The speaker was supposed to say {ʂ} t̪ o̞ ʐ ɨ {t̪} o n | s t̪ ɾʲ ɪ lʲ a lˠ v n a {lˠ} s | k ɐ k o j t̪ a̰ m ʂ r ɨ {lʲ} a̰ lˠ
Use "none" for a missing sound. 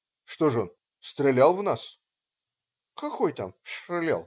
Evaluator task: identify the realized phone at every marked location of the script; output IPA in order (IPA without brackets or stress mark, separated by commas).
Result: ʂ, none, none, lʲ